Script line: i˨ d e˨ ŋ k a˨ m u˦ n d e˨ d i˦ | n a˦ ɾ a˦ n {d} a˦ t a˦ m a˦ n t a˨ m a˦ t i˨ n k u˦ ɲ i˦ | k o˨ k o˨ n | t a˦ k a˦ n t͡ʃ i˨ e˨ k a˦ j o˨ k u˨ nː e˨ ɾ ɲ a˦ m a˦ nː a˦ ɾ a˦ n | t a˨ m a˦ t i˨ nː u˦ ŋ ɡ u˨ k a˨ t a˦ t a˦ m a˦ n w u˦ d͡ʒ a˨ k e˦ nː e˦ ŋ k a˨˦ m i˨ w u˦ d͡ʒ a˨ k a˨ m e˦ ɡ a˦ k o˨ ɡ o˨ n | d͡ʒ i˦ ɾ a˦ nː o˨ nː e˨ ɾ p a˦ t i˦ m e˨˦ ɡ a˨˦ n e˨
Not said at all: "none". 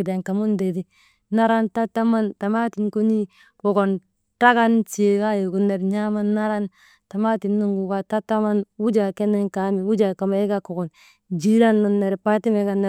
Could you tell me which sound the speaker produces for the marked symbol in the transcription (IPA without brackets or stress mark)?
t